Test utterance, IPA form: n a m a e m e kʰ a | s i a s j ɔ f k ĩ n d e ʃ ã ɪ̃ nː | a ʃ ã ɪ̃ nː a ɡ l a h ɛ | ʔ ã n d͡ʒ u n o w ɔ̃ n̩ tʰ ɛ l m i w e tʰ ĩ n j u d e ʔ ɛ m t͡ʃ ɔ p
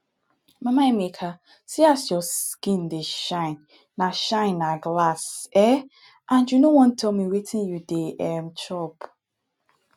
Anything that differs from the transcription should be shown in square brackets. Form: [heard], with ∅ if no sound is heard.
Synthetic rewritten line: [m] a m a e m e kʰ a | s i a s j ɔ [s] k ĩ n d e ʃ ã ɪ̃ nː | a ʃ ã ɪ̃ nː a ɡ l a [s] ɛ | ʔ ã n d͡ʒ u n o w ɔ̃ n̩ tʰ ɛ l m i w e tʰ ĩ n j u d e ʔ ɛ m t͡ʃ ɔ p